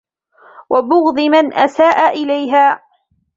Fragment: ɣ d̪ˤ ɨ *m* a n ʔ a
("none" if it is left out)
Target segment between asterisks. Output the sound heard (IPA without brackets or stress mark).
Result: m